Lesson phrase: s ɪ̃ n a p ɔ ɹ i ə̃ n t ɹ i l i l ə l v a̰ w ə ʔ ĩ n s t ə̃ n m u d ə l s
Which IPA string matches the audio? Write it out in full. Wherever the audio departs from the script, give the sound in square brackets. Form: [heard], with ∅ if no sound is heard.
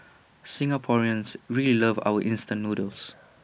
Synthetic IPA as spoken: s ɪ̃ [ŋ] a [pʰ] ɔ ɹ i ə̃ n [s] ɹ i l i l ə [∅] v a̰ w ə ʔ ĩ n s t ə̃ n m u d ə l s